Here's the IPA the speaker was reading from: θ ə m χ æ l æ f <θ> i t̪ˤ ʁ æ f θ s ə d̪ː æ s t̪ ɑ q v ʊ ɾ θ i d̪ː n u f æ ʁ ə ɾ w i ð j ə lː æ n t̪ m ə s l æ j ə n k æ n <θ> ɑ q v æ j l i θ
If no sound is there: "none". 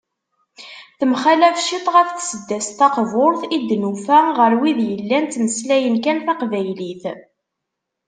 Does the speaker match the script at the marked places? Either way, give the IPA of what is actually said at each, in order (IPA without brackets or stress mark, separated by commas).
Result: ʃ, θ